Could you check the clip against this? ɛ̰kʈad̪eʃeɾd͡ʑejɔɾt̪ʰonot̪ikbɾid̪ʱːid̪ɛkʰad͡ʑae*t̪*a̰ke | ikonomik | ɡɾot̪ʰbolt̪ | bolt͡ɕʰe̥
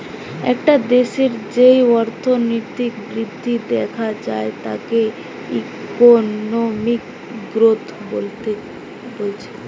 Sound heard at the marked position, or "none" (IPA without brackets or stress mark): t̪